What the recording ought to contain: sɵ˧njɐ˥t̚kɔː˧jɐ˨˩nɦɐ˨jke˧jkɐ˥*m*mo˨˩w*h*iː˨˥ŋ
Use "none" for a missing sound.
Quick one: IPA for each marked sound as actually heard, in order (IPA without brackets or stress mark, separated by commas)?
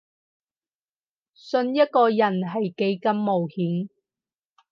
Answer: m, h